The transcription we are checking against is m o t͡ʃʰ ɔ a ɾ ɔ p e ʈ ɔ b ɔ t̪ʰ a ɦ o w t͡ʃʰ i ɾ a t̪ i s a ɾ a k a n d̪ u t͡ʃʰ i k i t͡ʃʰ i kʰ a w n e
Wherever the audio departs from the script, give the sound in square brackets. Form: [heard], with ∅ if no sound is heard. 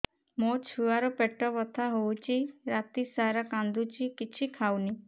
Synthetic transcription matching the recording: m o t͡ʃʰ [u] a ɾ ɔ p e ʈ ɔ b ɔ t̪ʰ a ɦ o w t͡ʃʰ i ɾ a t̪ i s a ɾ a k a n d̪ u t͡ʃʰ i k i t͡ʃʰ i kʰ a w n [i]